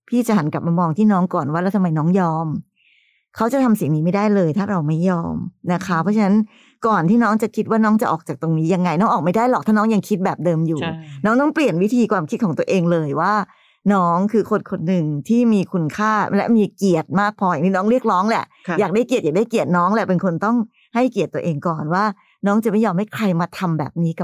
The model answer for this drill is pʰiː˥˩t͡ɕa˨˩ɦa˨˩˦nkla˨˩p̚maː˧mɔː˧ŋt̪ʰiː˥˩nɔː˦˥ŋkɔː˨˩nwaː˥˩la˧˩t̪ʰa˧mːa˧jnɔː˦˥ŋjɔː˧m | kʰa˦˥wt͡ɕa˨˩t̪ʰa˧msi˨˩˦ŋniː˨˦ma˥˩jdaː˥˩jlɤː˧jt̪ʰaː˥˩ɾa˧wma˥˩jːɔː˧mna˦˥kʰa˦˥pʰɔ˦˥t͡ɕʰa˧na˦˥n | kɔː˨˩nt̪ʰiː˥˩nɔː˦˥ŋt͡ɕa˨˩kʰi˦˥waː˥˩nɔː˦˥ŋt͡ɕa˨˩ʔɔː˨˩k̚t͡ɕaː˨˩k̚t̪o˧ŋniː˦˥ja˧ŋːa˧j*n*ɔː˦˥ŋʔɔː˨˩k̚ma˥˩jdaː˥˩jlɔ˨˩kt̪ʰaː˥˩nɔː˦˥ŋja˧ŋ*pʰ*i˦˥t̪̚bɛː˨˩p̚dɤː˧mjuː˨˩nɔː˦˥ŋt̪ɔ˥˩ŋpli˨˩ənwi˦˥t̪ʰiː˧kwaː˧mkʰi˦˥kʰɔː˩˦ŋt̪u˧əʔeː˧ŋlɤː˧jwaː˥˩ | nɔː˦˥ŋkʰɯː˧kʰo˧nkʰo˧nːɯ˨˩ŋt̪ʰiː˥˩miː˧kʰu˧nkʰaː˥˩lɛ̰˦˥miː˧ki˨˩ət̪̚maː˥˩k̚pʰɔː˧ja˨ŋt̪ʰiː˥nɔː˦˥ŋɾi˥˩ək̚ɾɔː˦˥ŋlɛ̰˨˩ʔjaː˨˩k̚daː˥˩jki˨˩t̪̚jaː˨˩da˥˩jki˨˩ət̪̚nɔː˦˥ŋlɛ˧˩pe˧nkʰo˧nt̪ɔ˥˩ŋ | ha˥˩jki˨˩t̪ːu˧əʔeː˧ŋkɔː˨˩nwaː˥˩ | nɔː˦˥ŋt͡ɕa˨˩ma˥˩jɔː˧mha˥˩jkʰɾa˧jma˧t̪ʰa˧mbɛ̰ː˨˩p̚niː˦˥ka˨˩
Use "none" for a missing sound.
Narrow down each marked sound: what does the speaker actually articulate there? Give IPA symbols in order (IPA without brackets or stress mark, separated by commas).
n, kʰ